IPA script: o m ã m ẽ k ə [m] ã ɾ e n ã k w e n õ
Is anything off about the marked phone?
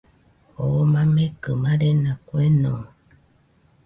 no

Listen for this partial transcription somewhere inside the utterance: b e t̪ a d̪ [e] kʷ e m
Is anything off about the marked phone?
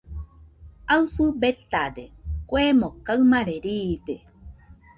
no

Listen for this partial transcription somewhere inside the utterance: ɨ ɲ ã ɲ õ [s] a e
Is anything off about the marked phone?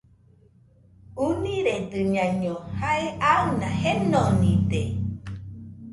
yes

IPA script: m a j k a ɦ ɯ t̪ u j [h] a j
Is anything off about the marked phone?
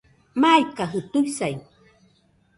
yes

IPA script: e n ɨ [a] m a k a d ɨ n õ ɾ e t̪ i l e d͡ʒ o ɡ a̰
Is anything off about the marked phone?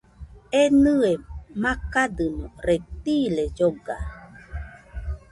yes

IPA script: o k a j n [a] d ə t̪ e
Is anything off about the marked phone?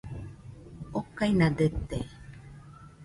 no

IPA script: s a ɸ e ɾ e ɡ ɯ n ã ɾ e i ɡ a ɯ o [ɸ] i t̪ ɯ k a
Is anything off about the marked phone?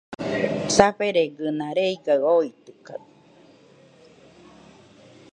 yes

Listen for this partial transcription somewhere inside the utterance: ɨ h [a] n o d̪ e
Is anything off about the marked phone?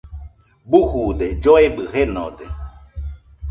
yes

